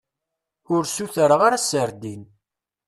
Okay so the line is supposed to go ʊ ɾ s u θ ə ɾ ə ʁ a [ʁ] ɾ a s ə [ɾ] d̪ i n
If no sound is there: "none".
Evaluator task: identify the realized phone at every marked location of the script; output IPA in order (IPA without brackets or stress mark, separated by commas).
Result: none, ɾ